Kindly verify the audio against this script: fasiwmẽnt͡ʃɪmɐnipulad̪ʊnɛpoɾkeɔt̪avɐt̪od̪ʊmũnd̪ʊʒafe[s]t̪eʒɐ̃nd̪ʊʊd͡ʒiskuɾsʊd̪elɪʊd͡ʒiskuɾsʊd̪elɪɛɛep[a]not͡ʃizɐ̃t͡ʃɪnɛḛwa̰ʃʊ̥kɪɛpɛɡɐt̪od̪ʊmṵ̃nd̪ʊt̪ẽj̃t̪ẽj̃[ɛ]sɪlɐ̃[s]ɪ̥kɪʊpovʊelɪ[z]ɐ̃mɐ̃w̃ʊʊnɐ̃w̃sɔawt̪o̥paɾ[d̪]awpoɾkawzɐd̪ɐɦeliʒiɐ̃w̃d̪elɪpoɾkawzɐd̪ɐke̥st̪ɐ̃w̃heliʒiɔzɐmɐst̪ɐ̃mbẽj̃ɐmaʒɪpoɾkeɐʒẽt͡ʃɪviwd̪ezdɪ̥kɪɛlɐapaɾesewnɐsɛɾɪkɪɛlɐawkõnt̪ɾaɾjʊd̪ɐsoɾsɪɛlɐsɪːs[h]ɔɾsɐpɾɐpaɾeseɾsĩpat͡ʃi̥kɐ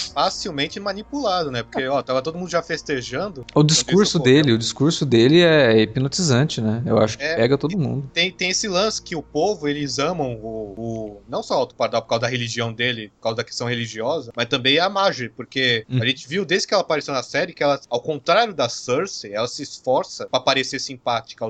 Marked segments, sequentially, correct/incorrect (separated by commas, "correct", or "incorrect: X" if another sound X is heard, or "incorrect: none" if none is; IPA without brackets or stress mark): correct, incorrect: i, incorrect: e, correct, correct, correct, incorrect: f